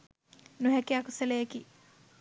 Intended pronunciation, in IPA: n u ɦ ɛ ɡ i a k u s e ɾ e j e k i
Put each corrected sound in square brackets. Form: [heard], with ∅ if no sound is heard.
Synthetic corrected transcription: n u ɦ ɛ [k] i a k u s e [l] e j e k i